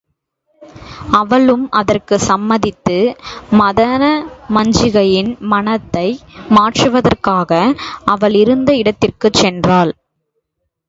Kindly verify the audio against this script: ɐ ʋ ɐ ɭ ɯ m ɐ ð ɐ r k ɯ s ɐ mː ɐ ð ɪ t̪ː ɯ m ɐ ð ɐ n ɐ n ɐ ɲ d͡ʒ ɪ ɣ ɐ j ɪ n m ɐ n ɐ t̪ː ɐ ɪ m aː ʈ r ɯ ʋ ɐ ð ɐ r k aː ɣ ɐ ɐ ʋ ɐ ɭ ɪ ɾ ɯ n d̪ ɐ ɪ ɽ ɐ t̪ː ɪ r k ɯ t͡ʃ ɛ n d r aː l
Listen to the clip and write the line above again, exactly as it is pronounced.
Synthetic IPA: ɐ ʋ ɐ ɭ ɯ m ɐ ð ɐ r k ɯ s ɐ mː ɐ ð ɪ t̪ː ɯ m ɐ ð ɐ n ɐ m ɐ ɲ d͡ʒ ɪ ɣ ɐ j ɪ n m ɐ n ɐ t̪ː ɐ ɪ m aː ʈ r ɯ ʋ ɐ ð ɐ r k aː ɣ ɐ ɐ ʋ ɐ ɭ ɪ ɾ ɯ n d̪ ɐ ɪ ɽ ɐ t̪ː ɪ r k ɯ t͡ʃ ɛ n d r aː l

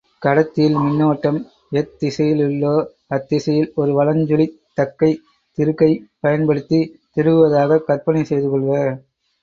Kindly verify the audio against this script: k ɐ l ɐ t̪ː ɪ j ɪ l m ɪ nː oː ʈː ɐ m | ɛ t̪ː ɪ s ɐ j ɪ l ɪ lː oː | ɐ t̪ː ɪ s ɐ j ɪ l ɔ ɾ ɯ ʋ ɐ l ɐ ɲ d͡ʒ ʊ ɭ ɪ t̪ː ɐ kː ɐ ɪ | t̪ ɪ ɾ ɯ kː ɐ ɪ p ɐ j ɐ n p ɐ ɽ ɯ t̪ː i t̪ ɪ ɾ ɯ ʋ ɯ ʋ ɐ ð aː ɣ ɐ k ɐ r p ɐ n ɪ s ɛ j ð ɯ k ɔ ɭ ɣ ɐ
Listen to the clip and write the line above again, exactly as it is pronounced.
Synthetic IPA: k ɐ ɽ ɐ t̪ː ɪ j ɪ l m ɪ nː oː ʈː ɐ m | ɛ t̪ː ɪ s ɐ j ɪ l ɪ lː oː | ɐ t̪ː ɪ s ɐ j ɪ l ɔ ɾ ɯ ʋ ɐ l ɐ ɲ d͡ʒ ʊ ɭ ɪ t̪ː ɐ kː ɐ ɪ | t̪ ɪ ɾ ɯ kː ɐ ɪ p ɐ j ɐ n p ɐ ɽ ɯ t̪ː i t̪ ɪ ɾ ɯ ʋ ɯ ʋ ɐ ð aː ɣ ɐ k ɐ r p ɐ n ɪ s ɛ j ð ɯ k ɔ ɭ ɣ ɐ

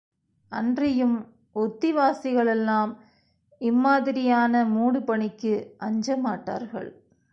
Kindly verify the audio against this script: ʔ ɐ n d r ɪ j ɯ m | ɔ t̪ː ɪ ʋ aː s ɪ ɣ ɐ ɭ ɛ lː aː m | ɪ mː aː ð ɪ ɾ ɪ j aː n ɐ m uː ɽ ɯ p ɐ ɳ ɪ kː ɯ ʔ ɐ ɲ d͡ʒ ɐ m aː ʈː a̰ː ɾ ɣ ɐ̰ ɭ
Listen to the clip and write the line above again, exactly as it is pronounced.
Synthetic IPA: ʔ ɐ n d r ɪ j ɯ m | ɔ t̪ː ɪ ʋ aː s ɪ ɣ ɐ ɭ ɛ lː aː m | ɪ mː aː ð ɪ ɾ ɪ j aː n ɐ m uː ɽ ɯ p ɐ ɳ ɪ kː ɯ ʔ ɐ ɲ d͡ʒ ɐ m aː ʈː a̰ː ɾ ɣ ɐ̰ ɭ

